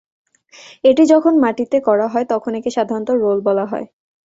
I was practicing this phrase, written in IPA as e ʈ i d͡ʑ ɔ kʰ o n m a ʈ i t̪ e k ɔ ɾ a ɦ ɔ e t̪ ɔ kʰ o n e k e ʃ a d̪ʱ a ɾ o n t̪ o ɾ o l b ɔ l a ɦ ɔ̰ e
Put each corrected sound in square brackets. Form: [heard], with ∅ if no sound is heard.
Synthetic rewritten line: e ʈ i d͡ʑ ɔ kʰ o n m a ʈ i t̪ e k ɔ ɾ a ɦ ɔ e t̪ ɔ kʰ o n e k e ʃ a d̪ʱ a ɾ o n t̪ o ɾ o l b ɔ l a ɦ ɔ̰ e